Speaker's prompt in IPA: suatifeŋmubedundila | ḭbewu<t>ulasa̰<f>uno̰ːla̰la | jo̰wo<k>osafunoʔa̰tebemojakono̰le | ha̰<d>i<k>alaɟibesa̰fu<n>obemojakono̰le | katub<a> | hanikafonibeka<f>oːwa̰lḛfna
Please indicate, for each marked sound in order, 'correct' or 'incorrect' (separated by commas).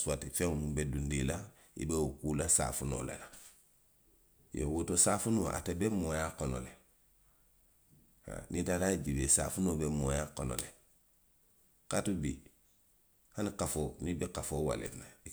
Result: incorrect, correct, incorrect, incorrect, incorrect, correct, incorrect, correct